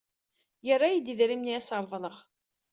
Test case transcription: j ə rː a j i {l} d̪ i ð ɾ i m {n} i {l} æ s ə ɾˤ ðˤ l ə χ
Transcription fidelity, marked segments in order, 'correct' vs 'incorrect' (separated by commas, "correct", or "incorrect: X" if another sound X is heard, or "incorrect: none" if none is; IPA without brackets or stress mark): incorrect: none, correct, incorrect: none